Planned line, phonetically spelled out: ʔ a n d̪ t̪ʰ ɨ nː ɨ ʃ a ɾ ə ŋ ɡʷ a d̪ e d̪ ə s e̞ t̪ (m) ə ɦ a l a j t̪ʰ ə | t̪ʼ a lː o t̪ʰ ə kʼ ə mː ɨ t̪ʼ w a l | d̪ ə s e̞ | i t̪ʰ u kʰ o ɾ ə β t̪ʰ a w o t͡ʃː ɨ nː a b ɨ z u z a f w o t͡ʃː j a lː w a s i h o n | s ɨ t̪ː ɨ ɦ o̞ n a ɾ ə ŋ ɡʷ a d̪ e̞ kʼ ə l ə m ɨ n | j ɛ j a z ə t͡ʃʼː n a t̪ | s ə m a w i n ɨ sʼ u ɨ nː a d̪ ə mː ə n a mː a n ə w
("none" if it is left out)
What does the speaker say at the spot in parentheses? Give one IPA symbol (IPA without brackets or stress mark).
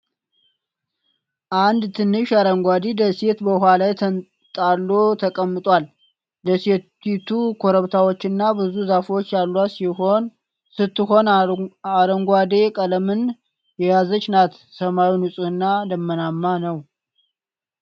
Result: b